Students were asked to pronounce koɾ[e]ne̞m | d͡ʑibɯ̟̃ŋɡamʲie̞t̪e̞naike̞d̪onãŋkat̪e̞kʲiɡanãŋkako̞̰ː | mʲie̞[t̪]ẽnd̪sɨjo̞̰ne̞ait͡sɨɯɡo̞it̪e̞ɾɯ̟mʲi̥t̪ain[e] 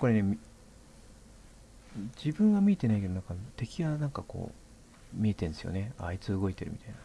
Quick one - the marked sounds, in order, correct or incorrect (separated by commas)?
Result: correct, correct, incorrect